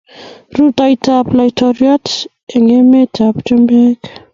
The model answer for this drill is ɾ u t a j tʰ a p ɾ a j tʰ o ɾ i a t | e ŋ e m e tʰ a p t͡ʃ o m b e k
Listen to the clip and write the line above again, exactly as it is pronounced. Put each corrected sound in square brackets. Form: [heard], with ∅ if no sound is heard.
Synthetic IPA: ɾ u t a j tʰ a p [l] a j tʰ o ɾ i a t | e ŋ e m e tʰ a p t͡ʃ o m b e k